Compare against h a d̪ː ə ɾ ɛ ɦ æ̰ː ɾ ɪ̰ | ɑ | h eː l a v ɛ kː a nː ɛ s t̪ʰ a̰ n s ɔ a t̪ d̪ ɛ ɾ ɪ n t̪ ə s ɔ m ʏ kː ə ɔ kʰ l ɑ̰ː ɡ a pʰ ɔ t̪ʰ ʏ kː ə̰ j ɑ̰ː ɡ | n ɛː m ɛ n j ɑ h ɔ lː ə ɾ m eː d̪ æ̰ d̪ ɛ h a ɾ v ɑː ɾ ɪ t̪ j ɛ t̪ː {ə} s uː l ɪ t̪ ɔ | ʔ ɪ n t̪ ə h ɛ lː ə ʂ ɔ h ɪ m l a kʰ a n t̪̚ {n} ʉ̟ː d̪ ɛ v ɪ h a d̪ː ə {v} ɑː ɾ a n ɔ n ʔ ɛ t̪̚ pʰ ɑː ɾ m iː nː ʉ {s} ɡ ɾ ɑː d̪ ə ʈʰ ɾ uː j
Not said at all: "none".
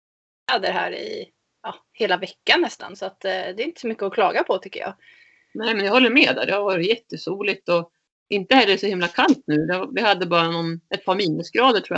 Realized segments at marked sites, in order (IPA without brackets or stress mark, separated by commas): ə, n, b, s